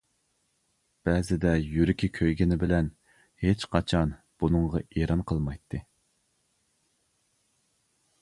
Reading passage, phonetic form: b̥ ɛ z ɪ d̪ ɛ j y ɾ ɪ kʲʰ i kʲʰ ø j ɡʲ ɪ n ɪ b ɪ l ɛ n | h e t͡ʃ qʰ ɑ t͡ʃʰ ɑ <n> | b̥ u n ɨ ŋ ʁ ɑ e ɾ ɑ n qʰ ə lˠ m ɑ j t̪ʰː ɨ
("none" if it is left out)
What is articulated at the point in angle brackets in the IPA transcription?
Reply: n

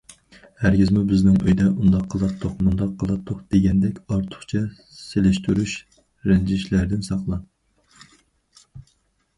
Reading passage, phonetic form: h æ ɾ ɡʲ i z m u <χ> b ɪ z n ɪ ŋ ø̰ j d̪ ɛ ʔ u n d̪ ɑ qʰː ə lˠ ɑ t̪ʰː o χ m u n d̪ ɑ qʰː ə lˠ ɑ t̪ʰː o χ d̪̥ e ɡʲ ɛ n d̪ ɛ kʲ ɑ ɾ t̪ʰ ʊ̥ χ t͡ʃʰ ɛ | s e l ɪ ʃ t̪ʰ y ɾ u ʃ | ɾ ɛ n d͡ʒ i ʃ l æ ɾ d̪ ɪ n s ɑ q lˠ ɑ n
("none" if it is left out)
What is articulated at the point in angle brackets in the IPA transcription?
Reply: none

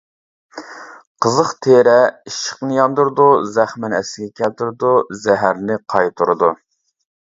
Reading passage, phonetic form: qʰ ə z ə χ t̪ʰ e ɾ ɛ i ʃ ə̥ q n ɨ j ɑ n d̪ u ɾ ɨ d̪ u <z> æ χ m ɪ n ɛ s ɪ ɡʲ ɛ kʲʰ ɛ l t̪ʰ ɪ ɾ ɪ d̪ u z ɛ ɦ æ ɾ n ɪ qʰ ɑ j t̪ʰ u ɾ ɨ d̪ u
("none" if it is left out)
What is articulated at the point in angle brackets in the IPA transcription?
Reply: z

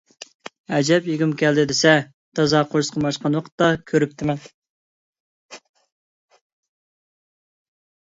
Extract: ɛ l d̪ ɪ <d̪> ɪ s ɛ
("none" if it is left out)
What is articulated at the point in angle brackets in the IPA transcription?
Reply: d̪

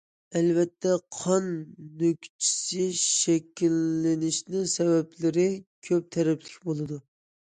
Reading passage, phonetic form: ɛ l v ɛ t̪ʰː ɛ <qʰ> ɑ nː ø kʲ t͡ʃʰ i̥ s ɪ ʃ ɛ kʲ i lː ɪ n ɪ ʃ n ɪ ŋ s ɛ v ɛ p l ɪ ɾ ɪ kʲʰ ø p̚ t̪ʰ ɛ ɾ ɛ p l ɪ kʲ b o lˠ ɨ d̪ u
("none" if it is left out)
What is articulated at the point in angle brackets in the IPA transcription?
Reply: qʰ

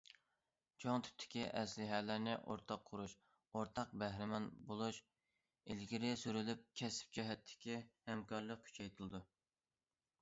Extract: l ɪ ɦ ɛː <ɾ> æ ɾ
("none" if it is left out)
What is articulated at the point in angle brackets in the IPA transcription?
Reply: l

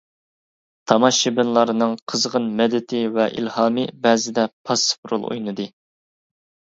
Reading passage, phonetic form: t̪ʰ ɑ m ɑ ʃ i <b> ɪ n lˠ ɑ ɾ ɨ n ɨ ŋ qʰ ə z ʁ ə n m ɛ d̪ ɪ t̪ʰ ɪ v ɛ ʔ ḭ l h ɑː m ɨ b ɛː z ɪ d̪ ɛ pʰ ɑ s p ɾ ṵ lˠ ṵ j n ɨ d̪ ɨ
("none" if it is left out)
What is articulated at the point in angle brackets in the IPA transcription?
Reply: b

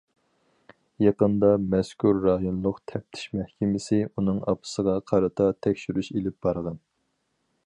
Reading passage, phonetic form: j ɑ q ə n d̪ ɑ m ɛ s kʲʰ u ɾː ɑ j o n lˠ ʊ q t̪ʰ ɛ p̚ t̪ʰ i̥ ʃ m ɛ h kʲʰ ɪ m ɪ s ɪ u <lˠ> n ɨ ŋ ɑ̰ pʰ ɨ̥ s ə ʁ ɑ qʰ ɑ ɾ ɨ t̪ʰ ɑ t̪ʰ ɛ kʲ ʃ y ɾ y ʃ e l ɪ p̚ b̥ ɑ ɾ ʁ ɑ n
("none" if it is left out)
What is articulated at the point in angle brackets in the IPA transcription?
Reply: none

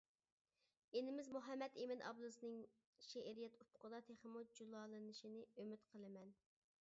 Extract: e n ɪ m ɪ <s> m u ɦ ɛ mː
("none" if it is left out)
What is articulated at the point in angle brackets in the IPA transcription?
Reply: z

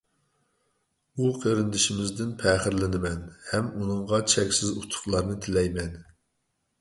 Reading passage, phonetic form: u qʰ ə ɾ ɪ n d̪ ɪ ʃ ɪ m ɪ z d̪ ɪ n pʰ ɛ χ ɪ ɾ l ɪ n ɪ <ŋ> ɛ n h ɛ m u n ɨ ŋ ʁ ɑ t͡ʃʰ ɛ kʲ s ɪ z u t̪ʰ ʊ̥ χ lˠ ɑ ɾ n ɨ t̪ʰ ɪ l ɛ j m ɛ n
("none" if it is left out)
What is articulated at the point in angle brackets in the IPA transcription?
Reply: m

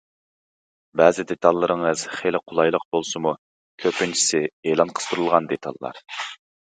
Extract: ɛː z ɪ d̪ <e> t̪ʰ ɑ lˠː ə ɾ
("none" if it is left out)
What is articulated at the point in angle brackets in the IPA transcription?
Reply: e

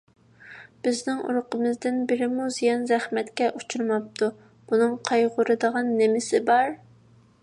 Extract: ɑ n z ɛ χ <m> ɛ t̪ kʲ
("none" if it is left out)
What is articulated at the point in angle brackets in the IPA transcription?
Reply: m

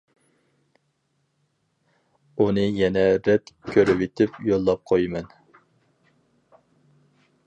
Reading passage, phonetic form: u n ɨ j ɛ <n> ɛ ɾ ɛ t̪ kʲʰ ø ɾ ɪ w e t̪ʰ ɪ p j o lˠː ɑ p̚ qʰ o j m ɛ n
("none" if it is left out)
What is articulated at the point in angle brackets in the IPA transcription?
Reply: n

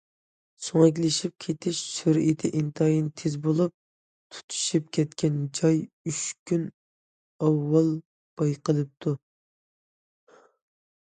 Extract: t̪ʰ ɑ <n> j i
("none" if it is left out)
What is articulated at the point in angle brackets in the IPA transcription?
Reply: none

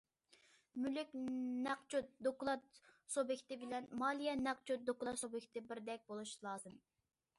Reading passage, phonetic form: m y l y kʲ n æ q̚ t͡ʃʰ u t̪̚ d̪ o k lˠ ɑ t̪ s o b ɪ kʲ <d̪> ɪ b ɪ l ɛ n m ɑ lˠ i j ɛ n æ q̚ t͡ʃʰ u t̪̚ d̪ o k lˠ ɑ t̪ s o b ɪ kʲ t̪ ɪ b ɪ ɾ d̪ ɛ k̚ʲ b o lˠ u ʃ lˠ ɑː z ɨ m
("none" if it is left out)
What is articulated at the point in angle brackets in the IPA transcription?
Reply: t̪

